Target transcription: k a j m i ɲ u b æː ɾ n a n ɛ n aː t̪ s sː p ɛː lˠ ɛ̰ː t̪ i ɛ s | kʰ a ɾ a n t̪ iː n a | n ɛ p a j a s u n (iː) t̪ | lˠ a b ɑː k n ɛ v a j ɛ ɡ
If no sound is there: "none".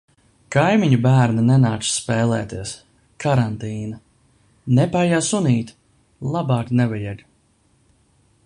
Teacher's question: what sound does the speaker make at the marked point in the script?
iː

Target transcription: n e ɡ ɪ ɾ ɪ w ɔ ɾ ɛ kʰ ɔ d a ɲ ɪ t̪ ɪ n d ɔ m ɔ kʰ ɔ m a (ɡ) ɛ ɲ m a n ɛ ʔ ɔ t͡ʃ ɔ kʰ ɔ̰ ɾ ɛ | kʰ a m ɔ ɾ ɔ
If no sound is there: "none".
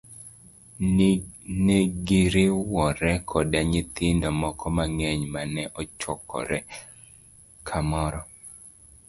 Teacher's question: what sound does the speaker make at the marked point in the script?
ŋ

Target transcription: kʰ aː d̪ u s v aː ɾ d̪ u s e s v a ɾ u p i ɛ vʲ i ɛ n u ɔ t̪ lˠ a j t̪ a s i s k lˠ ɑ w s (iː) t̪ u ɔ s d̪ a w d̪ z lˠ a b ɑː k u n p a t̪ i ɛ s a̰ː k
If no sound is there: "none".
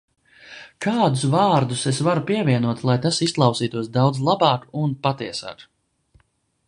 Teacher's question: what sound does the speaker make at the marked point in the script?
iː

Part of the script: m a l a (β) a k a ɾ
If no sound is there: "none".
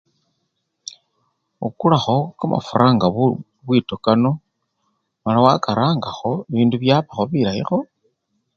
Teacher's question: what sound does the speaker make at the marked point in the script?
w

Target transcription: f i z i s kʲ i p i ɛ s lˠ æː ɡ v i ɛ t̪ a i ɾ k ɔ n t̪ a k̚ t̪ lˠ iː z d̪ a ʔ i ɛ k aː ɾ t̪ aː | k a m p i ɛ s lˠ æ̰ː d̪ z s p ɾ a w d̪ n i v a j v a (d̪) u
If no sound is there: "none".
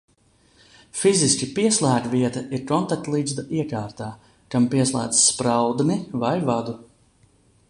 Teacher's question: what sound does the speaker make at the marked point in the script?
d̪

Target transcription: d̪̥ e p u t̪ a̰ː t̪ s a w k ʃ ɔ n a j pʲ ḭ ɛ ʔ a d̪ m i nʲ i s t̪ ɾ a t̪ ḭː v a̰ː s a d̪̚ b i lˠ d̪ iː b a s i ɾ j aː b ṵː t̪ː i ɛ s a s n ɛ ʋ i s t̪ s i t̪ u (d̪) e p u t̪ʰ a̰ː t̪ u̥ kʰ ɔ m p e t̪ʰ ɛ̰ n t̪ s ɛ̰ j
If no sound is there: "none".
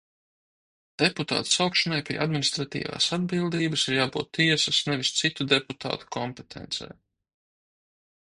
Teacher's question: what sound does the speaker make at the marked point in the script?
d̪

